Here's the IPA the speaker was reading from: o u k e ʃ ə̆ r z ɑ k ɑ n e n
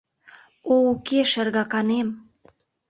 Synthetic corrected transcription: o u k e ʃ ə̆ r ɣ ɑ k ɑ n e m